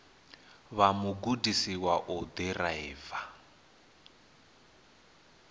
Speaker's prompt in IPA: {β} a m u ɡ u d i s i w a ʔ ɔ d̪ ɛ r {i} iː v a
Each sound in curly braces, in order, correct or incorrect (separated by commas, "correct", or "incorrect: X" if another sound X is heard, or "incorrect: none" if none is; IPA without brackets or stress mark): correct, incorrect: a